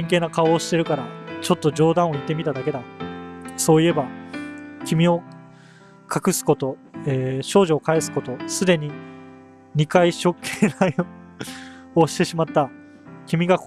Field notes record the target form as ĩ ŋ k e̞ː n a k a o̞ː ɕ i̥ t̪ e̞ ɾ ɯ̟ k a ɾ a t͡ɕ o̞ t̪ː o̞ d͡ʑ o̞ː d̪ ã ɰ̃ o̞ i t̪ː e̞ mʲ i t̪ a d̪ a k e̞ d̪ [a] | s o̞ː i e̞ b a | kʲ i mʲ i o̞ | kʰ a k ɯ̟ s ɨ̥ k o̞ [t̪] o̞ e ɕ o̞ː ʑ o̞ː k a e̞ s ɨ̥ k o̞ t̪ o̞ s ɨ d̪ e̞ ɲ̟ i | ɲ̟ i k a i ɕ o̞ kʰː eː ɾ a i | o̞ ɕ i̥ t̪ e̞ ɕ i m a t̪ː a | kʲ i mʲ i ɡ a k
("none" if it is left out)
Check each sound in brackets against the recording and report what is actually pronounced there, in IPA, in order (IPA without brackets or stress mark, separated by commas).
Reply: a, t̪